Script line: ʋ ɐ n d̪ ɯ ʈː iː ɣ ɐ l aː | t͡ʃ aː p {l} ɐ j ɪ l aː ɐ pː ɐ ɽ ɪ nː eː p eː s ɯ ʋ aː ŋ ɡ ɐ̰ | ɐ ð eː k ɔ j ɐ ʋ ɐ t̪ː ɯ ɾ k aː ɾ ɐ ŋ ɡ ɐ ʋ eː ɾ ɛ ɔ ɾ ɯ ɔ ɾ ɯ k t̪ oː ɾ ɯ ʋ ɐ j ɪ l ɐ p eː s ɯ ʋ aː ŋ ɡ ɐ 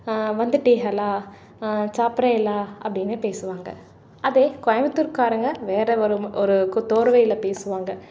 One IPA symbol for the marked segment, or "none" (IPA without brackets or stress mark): ɾ